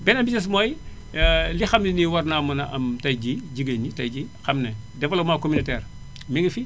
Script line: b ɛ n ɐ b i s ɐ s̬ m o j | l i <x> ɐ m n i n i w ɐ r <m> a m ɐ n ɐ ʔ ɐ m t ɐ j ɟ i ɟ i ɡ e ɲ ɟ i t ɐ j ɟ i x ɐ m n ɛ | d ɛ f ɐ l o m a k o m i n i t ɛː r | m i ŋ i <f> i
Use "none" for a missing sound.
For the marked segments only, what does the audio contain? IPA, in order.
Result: x, n, f

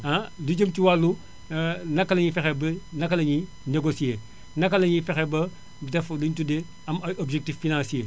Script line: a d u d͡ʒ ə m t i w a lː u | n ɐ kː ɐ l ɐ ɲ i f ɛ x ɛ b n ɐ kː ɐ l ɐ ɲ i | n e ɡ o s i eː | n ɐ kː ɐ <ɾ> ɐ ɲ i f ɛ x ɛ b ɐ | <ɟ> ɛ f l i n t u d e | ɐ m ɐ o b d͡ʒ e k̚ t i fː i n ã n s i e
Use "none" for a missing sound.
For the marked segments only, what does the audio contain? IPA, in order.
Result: l, d

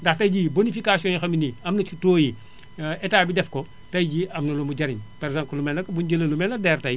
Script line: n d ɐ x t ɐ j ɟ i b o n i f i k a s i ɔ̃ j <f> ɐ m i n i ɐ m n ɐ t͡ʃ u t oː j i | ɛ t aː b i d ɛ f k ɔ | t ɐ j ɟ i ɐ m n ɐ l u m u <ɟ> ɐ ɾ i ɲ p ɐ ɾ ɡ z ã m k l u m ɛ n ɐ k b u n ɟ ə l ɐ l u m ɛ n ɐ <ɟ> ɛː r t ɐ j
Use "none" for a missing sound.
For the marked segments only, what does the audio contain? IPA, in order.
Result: x, ɟ, d

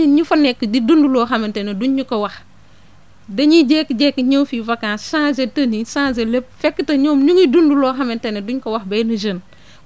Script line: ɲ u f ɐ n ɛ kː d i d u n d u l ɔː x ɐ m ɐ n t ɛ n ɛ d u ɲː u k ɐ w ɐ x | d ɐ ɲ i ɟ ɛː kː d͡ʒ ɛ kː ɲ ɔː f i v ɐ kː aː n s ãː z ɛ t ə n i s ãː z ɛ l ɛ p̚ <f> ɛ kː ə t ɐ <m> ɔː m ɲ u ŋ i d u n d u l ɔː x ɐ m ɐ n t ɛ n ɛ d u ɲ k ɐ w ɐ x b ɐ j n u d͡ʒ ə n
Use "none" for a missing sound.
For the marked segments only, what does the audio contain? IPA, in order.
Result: f, ɲ

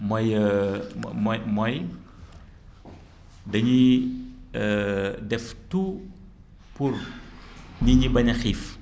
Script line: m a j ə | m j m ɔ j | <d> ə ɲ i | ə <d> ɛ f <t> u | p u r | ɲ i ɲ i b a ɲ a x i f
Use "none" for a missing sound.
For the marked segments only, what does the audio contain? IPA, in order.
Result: d, d, t

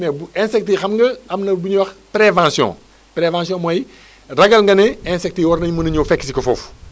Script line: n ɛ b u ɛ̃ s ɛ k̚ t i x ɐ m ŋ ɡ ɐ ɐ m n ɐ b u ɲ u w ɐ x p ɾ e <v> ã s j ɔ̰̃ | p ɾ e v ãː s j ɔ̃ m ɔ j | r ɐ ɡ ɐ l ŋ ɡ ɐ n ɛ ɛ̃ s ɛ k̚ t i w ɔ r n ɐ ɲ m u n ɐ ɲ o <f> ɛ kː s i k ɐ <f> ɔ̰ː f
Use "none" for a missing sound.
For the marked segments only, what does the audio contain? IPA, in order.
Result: v, f, f

